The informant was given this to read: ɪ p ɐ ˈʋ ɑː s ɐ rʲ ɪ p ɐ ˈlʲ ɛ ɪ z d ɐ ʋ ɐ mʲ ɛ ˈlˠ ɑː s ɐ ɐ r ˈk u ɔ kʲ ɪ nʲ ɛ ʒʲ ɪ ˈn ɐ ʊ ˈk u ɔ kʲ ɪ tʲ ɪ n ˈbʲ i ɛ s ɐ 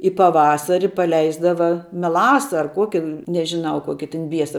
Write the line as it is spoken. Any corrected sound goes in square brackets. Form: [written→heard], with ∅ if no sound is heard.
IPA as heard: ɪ p ɐ ˈʋ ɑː s ɐ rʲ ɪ p ɐ ˈlʲ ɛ ɪ z d ɐ ʋ ɐ mʲ ɛ ˈlˠ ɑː s ɐ ɐ r ˈk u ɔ kʲ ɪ nʲ ɛ ʒʲ ɪ ˈn ɐ ʊ ˈk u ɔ kʲ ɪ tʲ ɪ n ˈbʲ i ɛ s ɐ